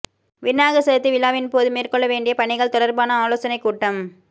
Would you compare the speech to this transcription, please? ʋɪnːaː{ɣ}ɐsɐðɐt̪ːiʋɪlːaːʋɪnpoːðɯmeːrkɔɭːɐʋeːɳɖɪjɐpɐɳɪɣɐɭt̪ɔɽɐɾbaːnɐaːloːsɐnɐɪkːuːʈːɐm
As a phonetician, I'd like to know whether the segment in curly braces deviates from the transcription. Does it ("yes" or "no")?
no